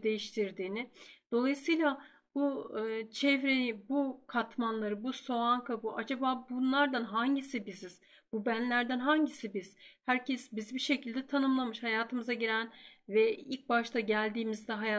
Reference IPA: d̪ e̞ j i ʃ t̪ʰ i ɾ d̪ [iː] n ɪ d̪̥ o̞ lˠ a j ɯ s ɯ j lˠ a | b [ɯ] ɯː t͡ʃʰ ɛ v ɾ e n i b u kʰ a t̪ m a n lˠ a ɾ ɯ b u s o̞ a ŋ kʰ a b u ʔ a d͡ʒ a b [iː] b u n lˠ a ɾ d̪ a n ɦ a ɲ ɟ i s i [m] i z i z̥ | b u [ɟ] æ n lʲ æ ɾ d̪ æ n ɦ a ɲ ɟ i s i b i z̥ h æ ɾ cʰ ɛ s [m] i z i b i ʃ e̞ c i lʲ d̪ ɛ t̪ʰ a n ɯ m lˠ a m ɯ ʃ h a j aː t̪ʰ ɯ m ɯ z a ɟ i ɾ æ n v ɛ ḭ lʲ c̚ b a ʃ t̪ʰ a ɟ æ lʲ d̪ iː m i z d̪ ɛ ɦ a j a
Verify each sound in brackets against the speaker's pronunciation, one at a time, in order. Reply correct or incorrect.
correct, incorrect, incorrect, incorrect, incorrect, incorrect

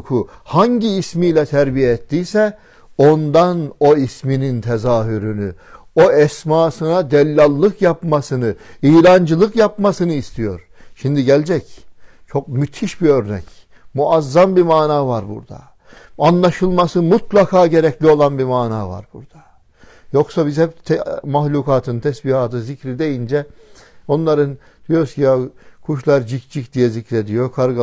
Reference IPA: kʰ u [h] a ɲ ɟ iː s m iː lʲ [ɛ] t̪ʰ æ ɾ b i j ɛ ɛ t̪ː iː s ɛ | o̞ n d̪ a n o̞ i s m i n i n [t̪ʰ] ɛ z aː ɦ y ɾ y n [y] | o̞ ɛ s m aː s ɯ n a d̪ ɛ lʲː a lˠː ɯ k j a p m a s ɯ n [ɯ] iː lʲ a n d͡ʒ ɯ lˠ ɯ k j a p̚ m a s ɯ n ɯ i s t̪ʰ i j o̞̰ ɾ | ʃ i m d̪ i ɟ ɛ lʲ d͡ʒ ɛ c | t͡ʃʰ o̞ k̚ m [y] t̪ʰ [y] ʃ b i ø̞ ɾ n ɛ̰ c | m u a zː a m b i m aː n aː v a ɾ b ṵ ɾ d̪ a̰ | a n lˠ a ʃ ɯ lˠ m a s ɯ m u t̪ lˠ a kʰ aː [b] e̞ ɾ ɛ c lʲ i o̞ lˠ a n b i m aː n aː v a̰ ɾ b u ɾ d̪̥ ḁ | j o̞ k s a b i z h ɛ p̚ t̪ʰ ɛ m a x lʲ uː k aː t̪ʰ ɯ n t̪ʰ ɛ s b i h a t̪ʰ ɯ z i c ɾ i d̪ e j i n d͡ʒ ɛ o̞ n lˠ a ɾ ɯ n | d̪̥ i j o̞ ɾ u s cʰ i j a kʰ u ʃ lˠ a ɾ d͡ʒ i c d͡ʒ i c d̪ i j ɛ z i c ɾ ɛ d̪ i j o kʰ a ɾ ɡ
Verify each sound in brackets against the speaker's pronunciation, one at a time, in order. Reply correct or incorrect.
correct, correct, correct, correct, correct, correct, incorrect, incorrect

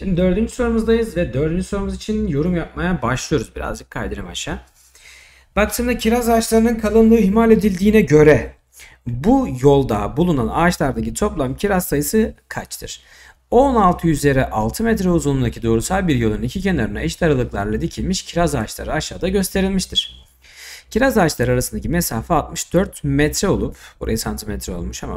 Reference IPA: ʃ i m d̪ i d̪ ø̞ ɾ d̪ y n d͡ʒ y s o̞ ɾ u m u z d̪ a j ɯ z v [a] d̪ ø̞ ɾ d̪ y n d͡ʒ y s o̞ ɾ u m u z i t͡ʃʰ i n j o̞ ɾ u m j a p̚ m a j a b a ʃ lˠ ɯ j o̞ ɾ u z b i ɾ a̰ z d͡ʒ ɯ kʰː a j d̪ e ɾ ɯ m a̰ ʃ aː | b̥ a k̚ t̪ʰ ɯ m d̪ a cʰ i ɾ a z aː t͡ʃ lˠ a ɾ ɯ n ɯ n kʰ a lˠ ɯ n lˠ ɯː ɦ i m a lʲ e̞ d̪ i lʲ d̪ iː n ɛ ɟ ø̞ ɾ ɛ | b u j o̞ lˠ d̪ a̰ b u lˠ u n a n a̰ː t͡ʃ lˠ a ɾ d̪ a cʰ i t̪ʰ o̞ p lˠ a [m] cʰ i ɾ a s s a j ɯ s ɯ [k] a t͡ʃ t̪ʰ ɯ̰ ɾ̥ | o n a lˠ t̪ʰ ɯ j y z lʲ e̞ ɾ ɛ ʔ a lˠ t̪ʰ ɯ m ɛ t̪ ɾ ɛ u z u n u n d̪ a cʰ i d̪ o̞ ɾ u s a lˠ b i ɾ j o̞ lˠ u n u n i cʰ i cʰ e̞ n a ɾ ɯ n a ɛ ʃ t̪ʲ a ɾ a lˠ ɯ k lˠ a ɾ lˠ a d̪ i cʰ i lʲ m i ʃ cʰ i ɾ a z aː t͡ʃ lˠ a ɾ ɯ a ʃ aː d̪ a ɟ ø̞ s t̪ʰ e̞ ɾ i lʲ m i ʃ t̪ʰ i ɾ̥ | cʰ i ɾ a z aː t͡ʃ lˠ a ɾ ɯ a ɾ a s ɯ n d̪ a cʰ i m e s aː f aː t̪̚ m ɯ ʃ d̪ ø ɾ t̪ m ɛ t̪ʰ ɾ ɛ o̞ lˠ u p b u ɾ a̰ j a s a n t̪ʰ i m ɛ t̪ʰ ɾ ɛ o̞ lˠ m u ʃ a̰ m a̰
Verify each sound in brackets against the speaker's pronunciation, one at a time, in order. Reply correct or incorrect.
incorrect, correct, incorrect

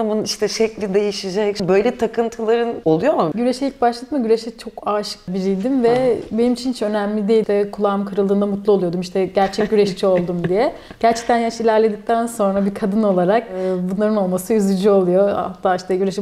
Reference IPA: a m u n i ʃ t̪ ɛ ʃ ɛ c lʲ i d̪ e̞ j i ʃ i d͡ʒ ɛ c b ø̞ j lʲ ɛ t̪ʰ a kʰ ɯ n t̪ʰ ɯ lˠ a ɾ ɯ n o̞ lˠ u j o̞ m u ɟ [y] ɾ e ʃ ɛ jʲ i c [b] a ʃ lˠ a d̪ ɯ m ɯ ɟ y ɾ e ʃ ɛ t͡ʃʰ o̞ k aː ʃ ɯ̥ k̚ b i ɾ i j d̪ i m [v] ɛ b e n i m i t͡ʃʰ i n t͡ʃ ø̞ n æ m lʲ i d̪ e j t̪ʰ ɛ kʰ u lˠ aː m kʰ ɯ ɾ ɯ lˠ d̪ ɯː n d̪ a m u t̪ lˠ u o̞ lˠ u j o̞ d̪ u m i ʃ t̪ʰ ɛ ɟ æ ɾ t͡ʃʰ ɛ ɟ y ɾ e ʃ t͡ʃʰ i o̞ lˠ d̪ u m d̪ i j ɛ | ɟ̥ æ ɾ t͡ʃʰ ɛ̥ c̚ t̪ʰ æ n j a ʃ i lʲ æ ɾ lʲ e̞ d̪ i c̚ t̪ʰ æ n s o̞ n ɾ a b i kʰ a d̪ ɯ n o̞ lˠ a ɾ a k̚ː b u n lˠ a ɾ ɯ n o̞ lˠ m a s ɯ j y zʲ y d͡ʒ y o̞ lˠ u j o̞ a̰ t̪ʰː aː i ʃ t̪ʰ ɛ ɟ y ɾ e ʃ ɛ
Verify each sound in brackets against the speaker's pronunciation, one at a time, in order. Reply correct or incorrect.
correct, correct, correct

